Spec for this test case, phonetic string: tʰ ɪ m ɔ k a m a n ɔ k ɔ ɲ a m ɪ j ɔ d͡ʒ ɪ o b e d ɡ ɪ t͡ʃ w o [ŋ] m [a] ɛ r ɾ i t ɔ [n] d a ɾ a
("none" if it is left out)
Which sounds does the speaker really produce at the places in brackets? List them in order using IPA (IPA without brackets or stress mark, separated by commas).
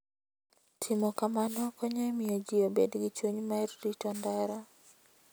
ɲ, a, n